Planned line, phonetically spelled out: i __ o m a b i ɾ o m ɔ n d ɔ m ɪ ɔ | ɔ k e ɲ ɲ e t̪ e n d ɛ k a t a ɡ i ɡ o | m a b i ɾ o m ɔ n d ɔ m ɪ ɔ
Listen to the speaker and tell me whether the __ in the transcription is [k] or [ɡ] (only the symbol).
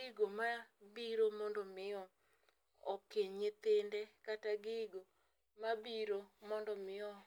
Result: ɡ